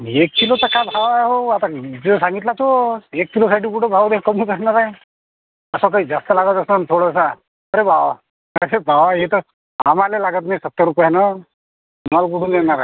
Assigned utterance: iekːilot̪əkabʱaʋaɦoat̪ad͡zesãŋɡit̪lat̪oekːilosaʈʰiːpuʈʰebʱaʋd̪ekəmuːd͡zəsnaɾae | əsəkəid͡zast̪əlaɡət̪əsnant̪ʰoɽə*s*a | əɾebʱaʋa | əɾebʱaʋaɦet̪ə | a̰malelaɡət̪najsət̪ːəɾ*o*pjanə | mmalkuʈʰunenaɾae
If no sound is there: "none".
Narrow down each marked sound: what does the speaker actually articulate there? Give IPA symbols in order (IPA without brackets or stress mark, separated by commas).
s, u